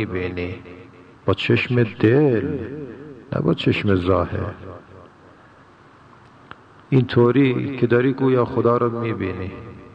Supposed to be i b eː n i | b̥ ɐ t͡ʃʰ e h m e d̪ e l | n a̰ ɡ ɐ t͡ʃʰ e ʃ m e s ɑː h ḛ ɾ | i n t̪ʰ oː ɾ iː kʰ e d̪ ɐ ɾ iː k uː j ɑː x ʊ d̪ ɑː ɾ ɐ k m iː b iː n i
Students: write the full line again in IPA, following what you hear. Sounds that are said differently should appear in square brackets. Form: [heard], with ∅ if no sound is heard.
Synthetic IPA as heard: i b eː n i | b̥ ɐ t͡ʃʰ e [ʃ] m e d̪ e l | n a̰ [b] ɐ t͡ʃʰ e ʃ m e [z] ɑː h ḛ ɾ | i n t̪ʰ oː ɾ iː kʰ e d̪ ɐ ɾ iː k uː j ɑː x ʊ d̪ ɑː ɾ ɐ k m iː b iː n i